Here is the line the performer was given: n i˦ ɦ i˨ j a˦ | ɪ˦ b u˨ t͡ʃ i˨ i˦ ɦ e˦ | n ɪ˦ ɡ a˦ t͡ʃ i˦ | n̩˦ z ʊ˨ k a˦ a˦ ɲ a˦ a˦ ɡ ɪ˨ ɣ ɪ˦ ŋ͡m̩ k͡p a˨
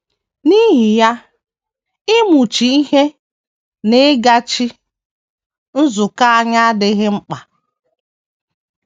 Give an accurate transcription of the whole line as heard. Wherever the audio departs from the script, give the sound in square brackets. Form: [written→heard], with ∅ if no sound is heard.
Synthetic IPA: n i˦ ɦ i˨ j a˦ | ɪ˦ [b→m] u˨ t͡ʃ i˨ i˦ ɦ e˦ | n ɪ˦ ɡ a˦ t͡ʃ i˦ | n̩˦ z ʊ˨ k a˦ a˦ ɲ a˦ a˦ [ɡ→d] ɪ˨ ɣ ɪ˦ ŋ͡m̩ k͡p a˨